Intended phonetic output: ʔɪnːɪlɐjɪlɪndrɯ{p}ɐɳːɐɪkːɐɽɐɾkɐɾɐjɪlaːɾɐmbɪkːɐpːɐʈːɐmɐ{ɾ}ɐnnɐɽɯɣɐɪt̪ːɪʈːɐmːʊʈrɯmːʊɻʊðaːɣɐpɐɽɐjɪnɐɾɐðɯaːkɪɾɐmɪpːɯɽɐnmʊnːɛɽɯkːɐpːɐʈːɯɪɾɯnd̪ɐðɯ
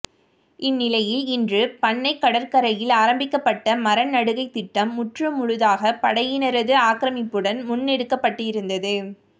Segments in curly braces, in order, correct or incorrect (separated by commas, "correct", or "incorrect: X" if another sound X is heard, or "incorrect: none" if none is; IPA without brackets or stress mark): correct, correct